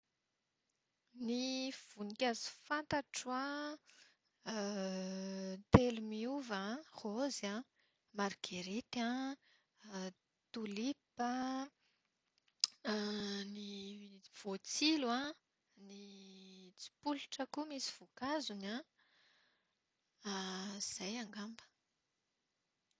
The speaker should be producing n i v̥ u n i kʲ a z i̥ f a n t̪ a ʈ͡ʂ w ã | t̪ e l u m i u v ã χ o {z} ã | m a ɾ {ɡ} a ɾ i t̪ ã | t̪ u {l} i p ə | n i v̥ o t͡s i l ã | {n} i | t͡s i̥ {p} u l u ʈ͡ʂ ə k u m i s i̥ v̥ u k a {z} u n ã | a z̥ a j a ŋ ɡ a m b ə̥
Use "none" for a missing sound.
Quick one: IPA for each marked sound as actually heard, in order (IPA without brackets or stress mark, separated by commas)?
z, ɡ, l, n, p, z